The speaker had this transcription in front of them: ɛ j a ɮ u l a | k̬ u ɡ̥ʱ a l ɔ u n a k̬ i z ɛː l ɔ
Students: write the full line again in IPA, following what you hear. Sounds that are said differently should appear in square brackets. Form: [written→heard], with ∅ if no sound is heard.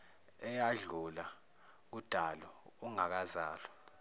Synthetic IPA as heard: ɛ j a ɮ u l a | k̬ u [ɡ̥ʱ→d̥ʱ] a l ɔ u [n→ŋ] a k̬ [i→a] z [ɛː→aː] l ɔ